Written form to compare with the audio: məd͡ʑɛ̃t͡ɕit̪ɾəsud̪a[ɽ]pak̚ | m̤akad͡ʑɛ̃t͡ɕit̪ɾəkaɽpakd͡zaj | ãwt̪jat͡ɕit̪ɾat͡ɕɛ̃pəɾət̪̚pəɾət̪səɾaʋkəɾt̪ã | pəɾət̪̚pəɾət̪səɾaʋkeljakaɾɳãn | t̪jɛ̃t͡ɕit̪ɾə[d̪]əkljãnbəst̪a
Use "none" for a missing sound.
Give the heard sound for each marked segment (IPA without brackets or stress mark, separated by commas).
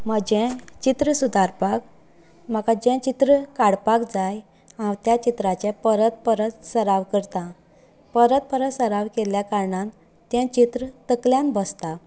ɾ, t̪